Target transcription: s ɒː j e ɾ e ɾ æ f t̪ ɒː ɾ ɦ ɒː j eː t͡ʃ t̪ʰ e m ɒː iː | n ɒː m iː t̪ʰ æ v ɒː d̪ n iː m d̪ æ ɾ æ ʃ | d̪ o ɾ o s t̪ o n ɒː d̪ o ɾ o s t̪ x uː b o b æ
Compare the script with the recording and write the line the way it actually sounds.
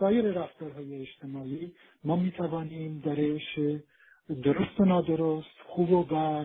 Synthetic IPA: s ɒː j e ɾ e ɾ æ f t̪ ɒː ɾ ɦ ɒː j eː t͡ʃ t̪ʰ e m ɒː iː | m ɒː m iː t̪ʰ æ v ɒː n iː m d̪ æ ɾ e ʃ | d̪ o ɾ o s t̪ o n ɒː d̪ o ɾ o s t̪ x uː b o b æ